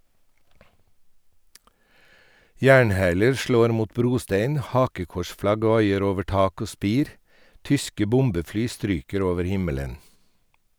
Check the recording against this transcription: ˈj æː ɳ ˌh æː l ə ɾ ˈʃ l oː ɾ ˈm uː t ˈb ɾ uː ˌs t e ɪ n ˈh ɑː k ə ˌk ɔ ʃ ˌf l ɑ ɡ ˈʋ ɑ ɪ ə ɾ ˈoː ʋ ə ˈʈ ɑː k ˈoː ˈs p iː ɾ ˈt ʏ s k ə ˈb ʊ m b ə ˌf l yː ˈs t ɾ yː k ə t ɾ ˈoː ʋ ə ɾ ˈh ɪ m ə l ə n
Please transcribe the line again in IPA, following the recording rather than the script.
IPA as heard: ˈj æː ɳ ˌh æː l ə ɾ ˈʃ l oː ɾ ˈm uː t ˈb ɾ uː ˌs t e ɪ n ˈh ɑː k ə ˌk ɔ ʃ ˌf l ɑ ɡ ˈʋ ɑ ɪ ə ɾ ˈoː ʋ ə ˈʈ ɑː k ˈoː ˈs p iː ɾ ˈt ʏ s k ə ˈb ʊ m b ə ˌf l yː ˈs t ɾ yː k ə ɾ ˈoː ʋ ə ɾ ˈh ɪ m ə l ə n

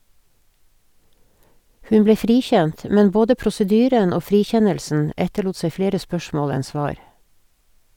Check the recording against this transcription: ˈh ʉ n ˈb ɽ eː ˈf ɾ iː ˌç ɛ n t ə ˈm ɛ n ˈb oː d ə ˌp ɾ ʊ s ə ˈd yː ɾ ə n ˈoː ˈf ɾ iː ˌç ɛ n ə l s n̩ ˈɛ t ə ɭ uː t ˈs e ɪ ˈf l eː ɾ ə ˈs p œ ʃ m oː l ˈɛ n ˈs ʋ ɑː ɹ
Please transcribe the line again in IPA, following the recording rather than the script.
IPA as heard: ˈh ʉ n ˈb l eː ˈf ɾ iː ˌç ɛ n t ə ˈm ɛ n ˈb oː d ə ˌp ɾ ʊ s ə ˈd yː ɾ ə n ˈoː ˈf ɾ iː ˌç ɛ n ə l s n̩ ˈɛ t ə ɭ uː t ˈs e ɪ ˈf l eː ɾ ə ˈs p œ ʃ m oː l ˈɛ n ˈs ʋ ɑː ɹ

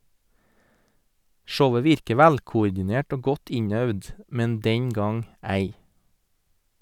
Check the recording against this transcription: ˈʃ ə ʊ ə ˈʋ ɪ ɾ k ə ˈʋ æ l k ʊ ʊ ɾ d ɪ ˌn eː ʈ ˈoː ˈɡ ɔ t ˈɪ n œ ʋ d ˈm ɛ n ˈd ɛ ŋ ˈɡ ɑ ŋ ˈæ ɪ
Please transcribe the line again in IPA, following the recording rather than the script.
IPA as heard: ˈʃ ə ʊ ə ˈʋ ɪ ɾ k ə ˈʋ æ l k ʊ ʊ ɾ d ɪ ˌn eː ʈ ˈoː ˈɡ ɔ t ˈɪ ɲ œ ʋ d ˈm ɛ n ˈd ɛ ŋ ˈɡ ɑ ŋ ˈæ ɪ

